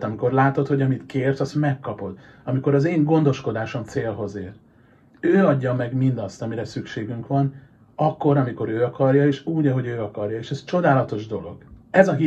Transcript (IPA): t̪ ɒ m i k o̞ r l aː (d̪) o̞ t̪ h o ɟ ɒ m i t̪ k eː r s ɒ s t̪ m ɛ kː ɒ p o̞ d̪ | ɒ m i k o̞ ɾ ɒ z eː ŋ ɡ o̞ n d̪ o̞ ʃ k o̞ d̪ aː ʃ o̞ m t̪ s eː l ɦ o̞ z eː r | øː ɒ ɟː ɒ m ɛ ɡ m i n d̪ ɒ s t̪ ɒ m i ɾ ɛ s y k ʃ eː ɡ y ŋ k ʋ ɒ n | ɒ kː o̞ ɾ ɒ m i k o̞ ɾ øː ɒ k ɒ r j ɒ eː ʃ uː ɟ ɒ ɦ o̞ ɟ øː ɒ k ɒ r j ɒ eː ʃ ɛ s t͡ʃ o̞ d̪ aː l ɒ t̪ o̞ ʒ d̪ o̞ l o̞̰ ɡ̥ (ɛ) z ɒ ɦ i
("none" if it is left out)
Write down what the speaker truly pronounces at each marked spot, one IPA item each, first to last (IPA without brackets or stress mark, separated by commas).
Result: t̪, ɛ